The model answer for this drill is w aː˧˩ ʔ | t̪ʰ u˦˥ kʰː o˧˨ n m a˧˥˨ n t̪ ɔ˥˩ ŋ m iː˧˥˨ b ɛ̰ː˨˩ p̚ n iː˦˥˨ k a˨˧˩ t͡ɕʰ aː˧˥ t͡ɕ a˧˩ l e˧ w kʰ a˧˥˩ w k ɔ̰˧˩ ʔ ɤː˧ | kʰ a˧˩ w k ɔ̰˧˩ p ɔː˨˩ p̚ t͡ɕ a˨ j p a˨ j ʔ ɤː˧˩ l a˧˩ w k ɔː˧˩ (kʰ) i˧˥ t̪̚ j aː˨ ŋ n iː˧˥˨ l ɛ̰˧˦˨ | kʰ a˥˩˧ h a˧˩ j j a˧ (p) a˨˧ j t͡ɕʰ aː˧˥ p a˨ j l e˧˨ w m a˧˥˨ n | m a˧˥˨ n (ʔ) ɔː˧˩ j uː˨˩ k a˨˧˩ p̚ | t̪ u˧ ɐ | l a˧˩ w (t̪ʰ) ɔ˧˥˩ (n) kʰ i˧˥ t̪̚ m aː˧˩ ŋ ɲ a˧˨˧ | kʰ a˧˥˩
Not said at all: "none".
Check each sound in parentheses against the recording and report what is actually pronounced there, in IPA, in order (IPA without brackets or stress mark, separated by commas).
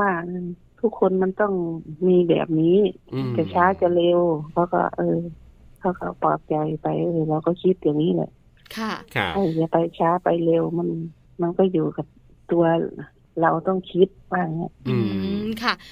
kʰ, p, k, t̪, ŋ